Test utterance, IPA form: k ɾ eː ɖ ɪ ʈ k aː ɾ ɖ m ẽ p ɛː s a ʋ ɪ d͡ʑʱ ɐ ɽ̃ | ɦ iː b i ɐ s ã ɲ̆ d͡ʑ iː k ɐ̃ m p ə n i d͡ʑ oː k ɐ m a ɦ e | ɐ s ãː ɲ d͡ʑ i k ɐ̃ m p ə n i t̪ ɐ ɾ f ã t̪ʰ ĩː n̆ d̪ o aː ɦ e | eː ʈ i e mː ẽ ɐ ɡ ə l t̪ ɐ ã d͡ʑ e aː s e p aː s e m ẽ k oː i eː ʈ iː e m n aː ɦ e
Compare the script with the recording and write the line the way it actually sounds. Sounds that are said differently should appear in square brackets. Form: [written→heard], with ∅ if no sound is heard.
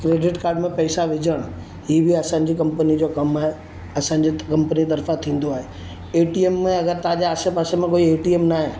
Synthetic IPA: k ɾ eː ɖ ɪ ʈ k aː ɾ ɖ m ẽ p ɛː s a ʋ ɪ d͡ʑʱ [ɐ→ə] ɽ̃ | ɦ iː b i ɐ s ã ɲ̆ d͡ʑ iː k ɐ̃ m p ə n i d͡ʑ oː k ɐ m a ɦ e | ɐ s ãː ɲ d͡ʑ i k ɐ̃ m p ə n i t̪ ɐ ɾ f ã t̪ʰ ĩː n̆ d̪ o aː ɦ e | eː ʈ i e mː ẽ ɐ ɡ ə [l→ɾ] t̪ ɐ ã d͡ʑ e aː s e p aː s e m ẽ k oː i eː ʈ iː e m n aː ɦ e